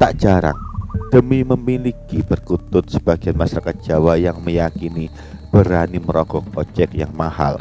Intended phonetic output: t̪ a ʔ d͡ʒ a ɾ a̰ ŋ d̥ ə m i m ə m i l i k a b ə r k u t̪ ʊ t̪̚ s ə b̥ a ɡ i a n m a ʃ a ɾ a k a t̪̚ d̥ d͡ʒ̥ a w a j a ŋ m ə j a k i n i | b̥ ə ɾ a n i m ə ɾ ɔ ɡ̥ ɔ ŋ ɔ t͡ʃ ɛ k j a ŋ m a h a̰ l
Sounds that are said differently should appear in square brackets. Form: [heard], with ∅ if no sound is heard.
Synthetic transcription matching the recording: t̪ a ʔ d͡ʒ a ɾ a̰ ŋ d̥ ə m i m ə m i l i k [i] b ə r k u t̪ ʊ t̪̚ s ə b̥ a ɡ i a n m a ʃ a ɾ a k a t̪̚ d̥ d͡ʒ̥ a w a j a ŋ m ə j a k i n i | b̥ ə ɾ a n i m ə ɾ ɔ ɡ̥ ɔ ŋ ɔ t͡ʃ ɛ k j a ŋ m a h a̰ l